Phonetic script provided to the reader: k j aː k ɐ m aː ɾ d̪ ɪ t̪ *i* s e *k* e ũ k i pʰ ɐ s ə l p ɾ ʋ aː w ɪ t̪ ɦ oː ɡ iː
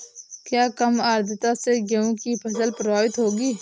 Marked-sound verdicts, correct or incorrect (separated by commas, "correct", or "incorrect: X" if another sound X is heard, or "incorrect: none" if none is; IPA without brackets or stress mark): incorrect: a, incorrect: ɡ